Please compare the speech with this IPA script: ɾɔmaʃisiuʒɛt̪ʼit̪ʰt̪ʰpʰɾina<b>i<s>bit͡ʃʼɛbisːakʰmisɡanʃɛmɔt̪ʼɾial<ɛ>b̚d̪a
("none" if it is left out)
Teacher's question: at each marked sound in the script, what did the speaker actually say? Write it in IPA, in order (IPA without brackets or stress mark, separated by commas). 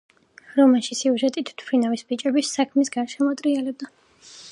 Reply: v, s, ɛ